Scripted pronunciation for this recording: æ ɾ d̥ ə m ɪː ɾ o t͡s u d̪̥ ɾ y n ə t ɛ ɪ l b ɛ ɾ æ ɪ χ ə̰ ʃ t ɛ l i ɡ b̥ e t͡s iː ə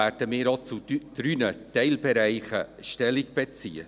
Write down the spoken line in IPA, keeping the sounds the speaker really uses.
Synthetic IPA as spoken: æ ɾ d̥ ə m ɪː ɾ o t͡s u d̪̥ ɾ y n ə t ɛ ɪ l b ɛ ɾ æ ɪ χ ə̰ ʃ t ɛ l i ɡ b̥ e t͡s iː ə